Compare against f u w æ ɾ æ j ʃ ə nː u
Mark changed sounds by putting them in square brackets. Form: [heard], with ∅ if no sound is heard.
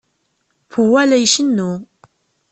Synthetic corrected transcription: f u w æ [l] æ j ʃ ə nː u